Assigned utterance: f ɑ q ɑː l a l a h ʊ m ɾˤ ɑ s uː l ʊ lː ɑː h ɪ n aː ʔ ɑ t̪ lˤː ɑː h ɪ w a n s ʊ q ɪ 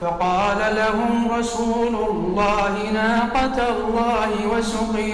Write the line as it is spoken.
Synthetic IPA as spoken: f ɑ q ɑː l a l a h ʊ m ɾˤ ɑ s uː l ʊ lː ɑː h ɪ n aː q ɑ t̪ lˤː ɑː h ɪ w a s ʊ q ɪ